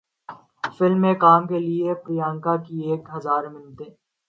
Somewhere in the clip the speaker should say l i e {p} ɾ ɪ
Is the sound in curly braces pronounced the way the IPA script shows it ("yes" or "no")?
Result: yes